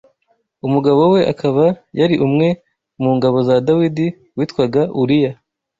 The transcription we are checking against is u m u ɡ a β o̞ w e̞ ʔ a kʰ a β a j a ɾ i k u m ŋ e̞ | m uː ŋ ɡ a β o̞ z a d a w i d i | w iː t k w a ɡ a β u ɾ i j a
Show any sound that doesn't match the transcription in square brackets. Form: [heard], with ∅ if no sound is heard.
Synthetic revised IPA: u m u ɡ a β o̞ w e̞ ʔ a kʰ a β a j a ɾ i [ʔ] u m ŋ e̞ | m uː ŋ ɡ a β o̞ z a d a w i d i | w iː t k w a ɡ a [∅] u ɾ i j a